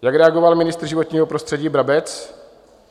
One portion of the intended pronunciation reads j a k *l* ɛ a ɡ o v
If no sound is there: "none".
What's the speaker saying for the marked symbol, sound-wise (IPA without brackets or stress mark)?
ɾ